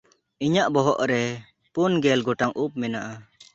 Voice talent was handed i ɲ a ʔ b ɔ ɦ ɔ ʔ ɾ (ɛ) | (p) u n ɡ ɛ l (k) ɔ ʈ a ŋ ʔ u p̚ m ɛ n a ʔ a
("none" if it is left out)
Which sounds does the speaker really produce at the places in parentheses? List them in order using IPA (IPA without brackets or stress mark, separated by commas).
ɛ, p, ɡ